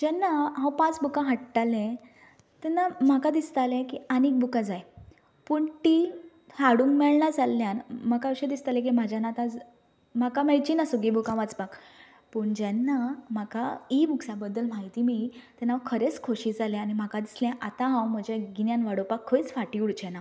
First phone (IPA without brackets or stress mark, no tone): d͡ʑ